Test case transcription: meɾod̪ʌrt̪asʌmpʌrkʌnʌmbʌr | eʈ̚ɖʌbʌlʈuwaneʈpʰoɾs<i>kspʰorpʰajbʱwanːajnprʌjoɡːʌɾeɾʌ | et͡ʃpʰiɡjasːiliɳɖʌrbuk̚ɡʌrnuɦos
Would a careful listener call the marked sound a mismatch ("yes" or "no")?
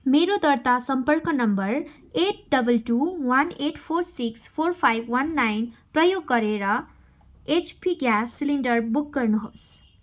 no